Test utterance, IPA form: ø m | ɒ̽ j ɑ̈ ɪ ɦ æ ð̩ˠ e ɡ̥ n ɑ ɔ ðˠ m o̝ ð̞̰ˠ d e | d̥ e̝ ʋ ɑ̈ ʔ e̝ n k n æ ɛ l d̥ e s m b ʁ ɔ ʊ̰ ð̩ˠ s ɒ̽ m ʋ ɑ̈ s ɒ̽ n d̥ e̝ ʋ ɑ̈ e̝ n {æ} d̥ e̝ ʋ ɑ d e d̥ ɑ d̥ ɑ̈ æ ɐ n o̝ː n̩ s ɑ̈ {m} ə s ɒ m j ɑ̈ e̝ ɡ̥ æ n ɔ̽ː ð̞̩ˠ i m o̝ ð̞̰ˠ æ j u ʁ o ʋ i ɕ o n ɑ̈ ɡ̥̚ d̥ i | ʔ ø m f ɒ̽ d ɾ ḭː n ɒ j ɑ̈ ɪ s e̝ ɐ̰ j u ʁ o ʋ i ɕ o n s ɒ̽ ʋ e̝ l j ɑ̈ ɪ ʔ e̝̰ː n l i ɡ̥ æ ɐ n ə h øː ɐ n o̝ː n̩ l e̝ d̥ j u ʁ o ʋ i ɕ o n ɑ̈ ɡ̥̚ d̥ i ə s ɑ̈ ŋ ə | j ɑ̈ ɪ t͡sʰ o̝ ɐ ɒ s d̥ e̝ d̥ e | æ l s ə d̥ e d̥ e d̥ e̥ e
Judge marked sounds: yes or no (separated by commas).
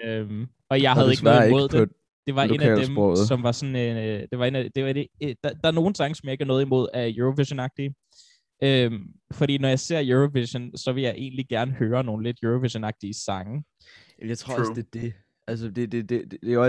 yes, no